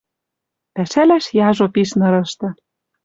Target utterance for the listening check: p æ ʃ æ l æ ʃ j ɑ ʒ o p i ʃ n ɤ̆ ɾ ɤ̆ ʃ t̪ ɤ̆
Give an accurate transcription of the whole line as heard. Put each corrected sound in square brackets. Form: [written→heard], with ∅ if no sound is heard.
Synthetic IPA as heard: p æ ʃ æ l æ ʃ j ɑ ʒ o p i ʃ n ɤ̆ ɾ ɤ̆ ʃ t̪ ɤ̆

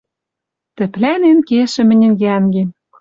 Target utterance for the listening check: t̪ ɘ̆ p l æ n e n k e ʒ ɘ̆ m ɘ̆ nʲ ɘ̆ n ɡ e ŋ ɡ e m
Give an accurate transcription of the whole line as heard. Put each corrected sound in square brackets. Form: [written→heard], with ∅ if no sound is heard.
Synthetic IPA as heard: t̪ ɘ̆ p l æ n e n k e [ʒ→ʃ] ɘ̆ m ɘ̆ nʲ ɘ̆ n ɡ [e→æ] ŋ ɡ e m

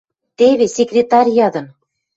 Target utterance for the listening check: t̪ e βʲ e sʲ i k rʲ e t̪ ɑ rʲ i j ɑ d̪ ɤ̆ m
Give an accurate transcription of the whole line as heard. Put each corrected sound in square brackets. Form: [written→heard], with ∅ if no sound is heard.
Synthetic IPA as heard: t̪ e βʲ e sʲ [i→e] k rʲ e t̪ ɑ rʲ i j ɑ d̪ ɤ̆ [m→n]

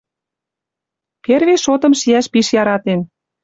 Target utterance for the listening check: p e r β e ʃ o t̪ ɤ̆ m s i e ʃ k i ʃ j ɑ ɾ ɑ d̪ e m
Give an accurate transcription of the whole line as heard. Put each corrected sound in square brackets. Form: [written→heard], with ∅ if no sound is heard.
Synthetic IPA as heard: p e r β e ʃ o t̪ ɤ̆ m [s→ʃ] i [e→æ] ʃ [k→p] i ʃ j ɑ ɾ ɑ [d̪→t̪] e [m→n]

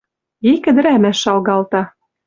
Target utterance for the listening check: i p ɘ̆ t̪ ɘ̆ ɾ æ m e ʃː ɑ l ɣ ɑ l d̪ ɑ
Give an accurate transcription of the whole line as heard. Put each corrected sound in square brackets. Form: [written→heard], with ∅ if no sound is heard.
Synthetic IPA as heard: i [p→k] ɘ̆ [t̪→d̪] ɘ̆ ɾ æ m [e→æ] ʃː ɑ l ɣ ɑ l [d̪→t̪] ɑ

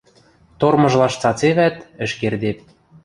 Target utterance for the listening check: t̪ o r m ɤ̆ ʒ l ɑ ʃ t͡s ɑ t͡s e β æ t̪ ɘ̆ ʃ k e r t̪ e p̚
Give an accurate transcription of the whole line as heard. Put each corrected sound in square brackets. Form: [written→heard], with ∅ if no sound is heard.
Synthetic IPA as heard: t̪ o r m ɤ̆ ʒ l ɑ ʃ t͡s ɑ t͡s e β æ t̪ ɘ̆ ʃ k e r [t̪→d̪] e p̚

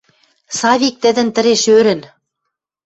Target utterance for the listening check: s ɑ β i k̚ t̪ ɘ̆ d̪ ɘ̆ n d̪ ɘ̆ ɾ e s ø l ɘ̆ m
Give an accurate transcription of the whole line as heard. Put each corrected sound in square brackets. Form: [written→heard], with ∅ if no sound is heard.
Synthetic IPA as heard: s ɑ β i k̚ t̪ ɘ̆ d̪ ɘ̆ n [d̪→t̪] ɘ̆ ɾ e [s→ʃ] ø [l→ɾ] ɘ̆ [m→n]

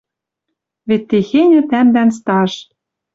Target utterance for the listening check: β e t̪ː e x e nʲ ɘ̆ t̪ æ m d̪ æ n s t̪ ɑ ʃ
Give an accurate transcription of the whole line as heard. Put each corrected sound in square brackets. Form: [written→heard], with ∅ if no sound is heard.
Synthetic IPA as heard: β e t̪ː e x e nʲ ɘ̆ t̪ æ m d̪ æ n s t̪ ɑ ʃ

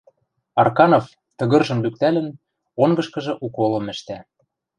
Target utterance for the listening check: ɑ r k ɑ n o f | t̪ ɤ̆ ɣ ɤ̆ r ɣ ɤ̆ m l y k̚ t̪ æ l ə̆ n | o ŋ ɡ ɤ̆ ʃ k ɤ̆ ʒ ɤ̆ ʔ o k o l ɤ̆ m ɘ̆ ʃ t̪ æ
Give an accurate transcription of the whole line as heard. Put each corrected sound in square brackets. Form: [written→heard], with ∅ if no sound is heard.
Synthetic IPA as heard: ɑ r k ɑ n o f | t̪ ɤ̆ ɣ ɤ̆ r [ɣ→ʒ] ɤ̆ m l y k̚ t̪ æ l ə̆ n | o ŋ ɡ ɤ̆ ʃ k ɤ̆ ʒ ɤ̆ ʔ [o→u] k o l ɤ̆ m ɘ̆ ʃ t̪ æ

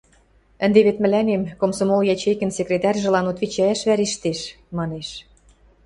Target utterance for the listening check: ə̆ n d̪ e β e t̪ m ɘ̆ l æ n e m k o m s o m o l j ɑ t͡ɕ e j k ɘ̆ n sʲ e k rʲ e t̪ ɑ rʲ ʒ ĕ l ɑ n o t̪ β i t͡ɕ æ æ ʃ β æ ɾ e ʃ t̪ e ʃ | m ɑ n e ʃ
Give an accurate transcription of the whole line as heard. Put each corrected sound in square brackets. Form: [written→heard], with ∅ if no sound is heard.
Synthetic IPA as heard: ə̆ n d̪ e β e t̪ m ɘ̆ l æ n e m k o m s o m o l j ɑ t͡ɕ e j k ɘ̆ n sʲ e k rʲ e t̪ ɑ rʲ ʒ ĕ l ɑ n o t̪ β i t͡ɕ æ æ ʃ β æ ɾ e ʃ t̪ e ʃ | m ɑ n e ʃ

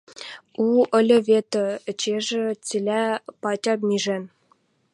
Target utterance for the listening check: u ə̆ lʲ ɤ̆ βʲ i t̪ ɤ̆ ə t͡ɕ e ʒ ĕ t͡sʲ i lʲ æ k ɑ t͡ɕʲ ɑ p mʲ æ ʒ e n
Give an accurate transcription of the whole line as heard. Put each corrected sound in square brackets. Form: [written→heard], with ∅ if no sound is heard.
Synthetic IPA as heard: u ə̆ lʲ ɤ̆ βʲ [i→e] t̪ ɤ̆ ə t͡ɕ e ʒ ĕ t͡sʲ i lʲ æ [k→p] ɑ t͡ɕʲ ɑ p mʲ [æ→i] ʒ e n

